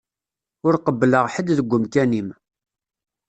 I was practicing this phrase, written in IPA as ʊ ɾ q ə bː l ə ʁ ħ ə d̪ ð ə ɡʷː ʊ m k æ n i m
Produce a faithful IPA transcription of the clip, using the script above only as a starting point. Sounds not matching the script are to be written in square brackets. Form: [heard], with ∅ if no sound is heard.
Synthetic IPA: ʊ ɾ q ə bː l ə ʁ ħ ə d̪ ð ə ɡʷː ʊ m k æ n i m

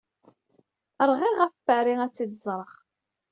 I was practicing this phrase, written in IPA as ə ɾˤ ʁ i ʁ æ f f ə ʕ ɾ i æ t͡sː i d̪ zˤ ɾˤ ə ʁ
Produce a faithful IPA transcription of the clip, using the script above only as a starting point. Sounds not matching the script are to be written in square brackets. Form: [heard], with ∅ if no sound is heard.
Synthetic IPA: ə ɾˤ ʁ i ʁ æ f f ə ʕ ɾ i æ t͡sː i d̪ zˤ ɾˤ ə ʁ

